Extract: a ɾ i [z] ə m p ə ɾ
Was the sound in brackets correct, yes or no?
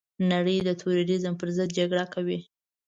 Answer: yes